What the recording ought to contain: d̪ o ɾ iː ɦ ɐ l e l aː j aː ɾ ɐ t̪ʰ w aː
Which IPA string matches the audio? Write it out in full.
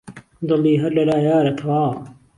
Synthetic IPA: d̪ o l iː ɦ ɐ l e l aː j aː ɾ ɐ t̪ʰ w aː